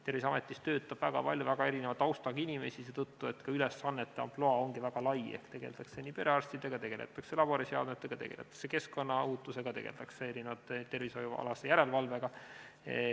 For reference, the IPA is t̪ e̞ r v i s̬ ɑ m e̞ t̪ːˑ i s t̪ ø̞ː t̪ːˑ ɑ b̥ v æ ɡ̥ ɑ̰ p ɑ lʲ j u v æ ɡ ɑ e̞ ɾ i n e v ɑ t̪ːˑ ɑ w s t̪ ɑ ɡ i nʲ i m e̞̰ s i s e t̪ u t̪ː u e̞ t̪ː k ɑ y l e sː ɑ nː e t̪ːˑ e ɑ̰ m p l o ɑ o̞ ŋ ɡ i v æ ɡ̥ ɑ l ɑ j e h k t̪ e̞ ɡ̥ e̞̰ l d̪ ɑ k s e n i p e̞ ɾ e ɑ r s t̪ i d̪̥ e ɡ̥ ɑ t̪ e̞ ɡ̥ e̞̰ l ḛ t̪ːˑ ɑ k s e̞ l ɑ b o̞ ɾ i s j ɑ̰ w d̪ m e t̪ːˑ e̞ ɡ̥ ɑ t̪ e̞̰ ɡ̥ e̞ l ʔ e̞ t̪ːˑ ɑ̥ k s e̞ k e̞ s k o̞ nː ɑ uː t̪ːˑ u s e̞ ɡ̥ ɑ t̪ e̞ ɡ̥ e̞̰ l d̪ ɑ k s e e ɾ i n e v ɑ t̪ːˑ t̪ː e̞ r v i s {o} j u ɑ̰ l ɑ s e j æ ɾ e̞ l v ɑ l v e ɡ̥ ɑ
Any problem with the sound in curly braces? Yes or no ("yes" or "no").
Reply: no